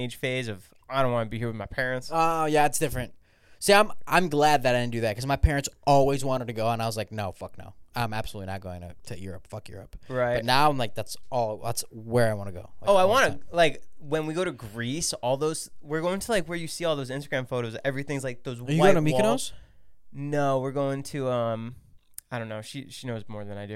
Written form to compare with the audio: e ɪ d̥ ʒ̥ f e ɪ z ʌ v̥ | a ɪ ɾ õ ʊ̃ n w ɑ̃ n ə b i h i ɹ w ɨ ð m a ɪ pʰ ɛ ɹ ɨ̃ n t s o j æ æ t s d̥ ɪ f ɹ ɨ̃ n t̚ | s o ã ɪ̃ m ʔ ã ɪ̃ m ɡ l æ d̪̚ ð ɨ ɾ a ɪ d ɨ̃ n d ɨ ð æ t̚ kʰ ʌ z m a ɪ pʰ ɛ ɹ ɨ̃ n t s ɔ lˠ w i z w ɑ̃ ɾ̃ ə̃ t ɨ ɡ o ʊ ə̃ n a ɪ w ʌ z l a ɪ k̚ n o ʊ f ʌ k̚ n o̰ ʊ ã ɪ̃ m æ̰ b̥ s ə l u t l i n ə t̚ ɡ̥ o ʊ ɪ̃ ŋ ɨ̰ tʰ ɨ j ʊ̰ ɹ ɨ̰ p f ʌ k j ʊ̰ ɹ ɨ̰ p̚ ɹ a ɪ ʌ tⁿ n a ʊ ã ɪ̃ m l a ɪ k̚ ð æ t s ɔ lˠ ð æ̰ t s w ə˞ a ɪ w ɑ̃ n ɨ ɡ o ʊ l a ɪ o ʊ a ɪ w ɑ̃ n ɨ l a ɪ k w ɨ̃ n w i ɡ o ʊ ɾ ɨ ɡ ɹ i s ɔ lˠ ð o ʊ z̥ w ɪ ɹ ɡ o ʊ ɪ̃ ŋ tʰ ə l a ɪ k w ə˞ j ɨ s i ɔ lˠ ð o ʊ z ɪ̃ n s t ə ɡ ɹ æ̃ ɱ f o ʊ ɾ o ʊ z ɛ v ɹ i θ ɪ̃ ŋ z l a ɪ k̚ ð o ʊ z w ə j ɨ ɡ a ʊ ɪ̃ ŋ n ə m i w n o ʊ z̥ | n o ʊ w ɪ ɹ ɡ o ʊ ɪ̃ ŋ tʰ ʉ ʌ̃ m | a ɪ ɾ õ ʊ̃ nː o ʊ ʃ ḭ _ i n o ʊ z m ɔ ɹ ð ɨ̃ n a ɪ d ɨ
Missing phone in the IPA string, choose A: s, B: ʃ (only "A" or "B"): B